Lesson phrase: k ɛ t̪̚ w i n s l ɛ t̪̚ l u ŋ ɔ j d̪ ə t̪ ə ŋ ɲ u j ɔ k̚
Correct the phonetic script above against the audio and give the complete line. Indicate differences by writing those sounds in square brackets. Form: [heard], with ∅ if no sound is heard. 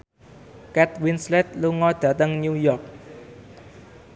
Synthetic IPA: k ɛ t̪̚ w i n s l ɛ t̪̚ l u ŋ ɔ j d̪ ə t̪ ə ŋ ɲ u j ɔ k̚